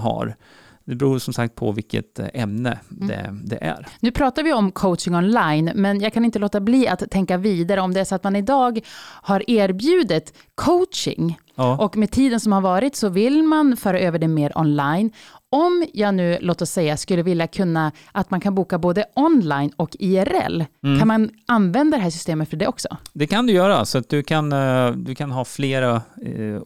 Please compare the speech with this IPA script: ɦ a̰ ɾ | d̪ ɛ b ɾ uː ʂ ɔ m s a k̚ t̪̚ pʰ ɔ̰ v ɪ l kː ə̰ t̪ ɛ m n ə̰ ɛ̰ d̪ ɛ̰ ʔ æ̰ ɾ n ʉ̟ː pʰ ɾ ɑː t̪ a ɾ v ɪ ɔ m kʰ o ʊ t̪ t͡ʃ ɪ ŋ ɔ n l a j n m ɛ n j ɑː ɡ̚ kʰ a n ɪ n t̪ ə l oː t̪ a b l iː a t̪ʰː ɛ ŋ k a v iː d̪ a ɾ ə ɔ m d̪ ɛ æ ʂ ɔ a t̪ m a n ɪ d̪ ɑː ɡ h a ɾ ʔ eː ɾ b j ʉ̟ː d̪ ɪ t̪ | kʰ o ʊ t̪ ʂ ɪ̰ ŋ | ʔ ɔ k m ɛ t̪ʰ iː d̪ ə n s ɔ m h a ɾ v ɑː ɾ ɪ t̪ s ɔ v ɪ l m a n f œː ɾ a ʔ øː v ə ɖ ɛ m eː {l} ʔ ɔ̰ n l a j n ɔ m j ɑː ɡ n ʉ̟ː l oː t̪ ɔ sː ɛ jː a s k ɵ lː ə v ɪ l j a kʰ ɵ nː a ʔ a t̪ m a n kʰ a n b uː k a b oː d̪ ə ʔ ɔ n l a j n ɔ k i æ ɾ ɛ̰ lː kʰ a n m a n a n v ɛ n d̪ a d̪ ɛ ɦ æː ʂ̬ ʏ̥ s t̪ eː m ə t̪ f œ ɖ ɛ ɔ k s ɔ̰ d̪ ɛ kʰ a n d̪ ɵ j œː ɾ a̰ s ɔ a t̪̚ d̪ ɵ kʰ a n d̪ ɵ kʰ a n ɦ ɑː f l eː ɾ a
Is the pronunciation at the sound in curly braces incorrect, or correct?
incorrect